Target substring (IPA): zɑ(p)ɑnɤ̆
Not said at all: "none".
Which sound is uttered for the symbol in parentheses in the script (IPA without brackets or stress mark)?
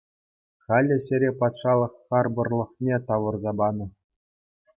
b